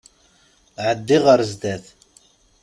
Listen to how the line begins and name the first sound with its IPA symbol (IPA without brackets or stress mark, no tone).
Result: ʕ